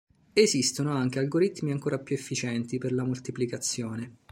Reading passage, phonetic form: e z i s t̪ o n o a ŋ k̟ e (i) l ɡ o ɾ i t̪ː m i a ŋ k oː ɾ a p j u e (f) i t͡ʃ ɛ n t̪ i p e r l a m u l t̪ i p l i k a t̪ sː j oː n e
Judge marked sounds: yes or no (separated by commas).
no, no